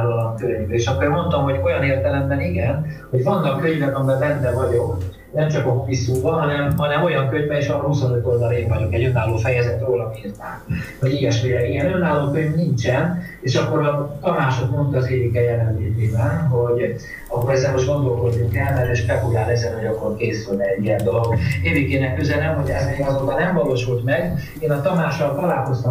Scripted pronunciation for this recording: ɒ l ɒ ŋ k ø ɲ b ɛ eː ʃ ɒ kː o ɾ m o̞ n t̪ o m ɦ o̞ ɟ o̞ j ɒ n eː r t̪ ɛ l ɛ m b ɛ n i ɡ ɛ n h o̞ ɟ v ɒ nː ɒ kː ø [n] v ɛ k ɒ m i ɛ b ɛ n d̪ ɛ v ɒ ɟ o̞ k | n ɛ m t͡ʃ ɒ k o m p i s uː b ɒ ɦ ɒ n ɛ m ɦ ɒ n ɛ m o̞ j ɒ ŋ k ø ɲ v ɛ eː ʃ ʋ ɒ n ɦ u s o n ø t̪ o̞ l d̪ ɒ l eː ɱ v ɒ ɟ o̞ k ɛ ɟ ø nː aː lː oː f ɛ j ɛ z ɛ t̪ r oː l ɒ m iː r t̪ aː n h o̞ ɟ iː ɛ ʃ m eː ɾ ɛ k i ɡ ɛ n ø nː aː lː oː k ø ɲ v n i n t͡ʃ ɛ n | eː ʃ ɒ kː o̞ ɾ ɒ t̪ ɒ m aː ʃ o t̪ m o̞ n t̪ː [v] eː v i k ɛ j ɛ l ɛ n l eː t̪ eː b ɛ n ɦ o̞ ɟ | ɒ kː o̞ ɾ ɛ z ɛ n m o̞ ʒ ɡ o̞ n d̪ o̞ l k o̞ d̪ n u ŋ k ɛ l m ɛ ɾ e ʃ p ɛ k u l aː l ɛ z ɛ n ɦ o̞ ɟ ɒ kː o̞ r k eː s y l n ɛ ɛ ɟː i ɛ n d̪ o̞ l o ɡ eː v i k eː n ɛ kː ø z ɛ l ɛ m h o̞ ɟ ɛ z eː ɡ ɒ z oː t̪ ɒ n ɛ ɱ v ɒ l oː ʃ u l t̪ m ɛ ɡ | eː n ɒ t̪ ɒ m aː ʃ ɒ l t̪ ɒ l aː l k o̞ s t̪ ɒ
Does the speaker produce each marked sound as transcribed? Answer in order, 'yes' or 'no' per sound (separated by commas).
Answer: no, no